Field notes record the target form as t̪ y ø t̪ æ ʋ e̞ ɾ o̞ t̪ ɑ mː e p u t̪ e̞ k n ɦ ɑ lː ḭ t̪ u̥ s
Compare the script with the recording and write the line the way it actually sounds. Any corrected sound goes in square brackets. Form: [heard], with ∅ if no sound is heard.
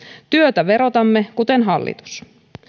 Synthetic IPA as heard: t̪ y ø t̪ æ ʋ e̞ ɾ o̞ t̪ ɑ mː e [k] u t̪ e̞ [∅] n ɦ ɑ lː ḭ t̪ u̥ s